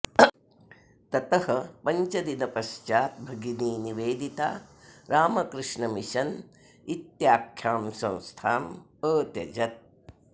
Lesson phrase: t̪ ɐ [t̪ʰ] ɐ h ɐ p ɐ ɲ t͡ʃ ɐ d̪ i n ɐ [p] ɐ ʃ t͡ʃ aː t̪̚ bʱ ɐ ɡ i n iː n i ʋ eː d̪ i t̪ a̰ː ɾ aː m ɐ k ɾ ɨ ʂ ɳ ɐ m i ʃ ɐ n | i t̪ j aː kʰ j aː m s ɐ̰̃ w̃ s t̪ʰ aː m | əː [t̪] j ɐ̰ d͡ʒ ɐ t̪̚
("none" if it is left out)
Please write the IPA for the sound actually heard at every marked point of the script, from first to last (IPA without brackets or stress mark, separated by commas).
t̪, p, t̪